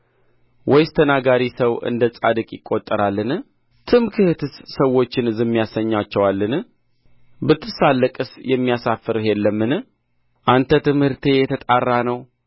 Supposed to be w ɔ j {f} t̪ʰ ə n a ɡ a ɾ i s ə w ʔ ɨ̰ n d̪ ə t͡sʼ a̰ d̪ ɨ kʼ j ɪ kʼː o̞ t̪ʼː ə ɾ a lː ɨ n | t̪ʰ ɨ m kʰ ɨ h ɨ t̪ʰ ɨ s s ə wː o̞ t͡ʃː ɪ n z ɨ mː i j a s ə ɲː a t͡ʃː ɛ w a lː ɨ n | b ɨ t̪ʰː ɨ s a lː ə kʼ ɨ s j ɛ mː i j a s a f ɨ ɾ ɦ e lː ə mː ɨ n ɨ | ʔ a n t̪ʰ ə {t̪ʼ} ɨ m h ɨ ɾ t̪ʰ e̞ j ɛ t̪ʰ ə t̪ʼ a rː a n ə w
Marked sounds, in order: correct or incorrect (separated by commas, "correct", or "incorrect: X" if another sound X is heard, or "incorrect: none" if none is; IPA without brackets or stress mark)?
incorrect: s, incorrect: t̪